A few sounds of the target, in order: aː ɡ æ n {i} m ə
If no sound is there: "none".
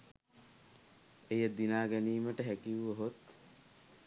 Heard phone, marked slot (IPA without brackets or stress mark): iː